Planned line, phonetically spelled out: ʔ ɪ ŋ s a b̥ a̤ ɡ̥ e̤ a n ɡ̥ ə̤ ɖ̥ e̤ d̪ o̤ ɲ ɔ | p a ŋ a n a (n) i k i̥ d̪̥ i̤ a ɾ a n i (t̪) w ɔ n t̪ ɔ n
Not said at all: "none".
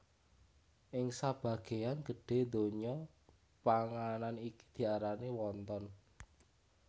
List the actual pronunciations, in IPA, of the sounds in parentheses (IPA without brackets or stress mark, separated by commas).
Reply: n, none